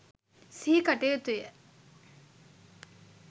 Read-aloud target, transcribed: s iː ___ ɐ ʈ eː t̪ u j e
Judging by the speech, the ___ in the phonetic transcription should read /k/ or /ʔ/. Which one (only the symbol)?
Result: k